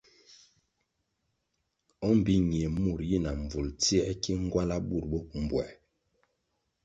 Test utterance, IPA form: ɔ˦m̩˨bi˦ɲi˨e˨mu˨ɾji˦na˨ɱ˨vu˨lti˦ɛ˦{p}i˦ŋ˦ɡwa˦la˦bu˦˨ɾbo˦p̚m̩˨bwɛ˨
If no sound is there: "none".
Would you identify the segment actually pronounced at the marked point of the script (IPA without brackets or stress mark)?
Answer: k